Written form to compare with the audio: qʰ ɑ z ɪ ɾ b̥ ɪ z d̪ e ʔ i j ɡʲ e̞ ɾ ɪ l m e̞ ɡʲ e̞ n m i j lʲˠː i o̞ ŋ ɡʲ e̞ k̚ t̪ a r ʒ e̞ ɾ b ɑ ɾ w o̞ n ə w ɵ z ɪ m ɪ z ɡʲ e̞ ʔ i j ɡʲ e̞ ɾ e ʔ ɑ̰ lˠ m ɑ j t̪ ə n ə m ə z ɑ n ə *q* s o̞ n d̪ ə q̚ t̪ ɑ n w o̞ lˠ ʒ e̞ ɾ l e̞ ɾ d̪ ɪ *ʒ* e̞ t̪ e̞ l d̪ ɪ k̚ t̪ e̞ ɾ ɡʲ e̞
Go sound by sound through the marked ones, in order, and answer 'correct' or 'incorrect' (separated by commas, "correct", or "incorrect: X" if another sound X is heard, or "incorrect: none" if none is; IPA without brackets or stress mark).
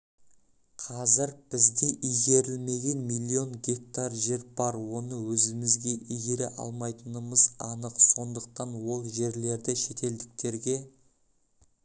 correct, incorrect: ʃ